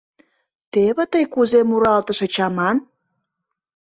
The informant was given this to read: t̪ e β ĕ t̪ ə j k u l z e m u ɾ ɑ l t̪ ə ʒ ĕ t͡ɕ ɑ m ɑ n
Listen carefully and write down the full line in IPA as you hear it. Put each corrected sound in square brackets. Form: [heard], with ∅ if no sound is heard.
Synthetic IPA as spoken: t̪ e β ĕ t̪ ə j k u [∅] z e m u ɾ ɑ l t̪ ə [ʃ] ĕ t͡ɕ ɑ m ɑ n